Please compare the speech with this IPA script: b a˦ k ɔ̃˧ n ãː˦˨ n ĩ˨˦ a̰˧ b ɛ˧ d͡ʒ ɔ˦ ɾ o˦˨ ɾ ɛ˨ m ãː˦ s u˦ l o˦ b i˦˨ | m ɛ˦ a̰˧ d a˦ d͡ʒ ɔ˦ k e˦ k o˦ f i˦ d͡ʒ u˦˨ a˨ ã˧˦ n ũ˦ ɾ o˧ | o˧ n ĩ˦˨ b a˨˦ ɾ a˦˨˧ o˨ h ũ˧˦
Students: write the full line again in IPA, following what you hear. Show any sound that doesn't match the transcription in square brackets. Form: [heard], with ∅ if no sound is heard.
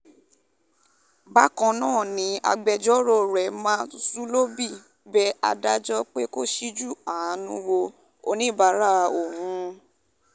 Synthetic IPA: b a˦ k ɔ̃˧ n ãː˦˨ n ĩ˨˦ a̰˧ [ɡ͡b] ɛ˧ d͡ʒ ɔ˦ ɾ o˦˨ ɾ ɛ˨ m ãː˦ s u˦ l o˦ b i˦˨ | [b] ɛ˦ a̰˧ d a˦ d͡ʒ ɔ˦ [k͡p] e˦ k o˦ [ʃ] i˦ d͡ʒ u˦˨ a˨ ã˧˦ n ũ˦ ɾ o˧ | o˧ n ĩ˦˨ b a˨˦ ɾ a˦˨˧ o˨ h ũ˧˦